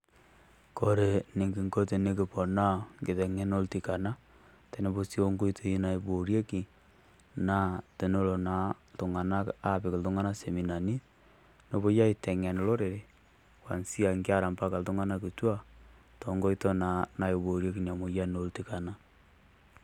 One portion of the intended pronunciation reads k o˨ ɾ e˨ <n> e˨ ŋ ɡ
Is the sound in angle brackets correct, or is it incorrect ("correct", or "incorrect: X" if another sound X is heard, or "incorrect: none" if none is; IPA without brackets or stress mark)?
correct